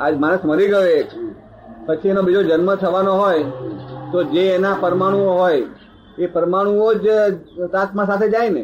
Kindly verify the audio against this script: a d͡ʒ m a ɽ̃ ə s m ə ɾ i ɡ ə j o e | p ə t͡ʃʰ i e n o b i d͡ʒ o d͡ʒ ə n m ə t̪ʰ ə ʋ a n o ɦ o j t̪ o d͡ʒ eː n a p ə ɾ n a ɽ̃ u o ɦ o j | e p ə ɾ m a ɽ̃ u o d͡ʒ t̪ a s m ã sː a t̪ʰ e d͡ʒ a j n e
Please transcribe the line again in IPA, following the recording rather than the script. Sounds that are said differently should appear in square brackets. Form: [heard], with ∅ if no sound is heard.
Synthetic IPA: a d͡ʒ m a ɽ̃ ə s m ə ɾ i ɡ ə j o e | p ə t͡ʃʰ i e n o b i d͡ʒ o d͡ʒ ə n m ə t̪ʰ ə ʋ a n o ɦ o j t̪ o d͡ʒ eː n a p ə ɾ [m] a ɽ̃ u o ɦ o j | e p ə ɾ m a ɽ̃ u o d͡ʒ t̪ a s m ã [s] a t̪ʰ e d͡ʒ a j n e